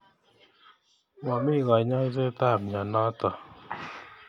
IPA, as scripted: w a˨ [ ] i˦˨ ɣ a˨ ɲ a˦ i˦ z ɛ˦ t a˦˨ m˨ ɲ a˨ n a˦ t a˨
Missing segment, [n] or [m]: m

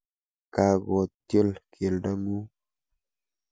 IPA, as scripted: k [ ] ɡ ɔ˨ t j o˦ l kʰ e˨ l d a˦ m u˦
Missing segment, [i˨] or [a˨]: a˨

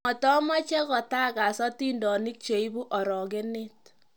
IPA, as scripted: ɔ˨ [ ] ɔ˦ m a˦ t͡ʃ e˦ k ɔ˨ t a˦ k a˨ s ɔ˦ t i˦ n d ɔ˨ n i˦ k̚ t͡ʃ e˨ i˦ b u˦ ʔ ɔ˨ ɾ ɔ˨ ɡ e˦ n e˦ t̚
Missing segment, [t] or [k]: t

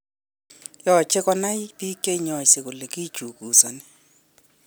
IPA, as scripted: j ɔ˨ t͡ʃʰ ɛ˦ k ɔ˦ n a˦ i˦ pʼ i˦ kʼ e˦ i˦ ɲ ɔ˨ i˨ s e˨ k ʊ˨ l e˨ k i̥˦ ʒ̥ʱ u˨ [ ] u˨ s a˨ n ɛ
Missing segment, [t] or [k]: k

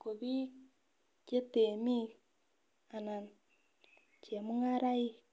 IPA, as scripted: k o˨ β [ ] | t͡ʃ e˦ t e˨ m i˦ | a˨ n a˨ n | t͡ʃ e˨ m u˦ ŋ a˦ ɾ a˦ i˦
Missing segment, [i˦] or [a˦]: i˦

